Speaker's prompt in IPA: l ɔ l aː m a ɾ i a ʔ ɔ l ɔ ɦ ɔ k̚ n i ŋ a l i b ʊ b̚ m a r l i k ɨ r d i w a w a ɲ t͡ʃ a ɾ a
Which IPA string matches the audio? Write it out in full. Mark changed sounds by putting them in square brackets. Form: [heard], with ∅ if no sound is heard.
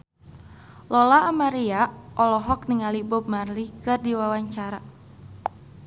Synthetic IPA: l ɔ l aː m a ɾ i a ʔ ɔ l ɔ ɦ ɔ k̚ n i ŋ a l i b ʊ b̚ m a r l i k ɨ r d i w a w a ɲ t͡ʃ a ɾ a